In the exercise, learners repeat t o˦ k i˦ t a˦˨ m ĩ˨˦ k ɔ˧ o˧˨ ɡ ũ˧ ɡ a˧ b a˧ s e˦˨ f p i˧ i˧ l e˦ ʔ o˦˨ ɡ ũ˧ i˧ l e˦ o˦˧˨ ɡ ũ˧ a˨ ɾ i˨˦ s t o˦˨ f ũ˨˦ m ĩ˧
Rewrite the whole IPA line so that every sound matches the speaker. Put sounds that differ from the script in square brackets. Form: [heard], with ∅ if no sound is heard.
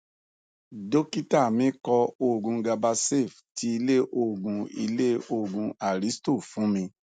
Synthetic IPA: [d] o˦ k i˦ t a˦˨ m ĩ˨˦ k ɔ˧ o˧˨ ɡ ũ˧ ɡ a˧ b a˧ s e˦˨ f [t] i˧ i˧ l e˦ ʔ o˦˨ ɡ ũ˧ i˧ l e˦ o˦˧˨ ɡ ũ˧ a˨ ɾ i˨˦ s t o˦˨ f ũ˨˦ m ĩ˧